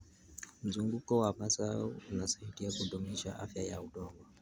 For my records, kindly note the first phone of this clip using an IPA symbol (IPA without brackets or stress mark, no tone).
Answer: m̩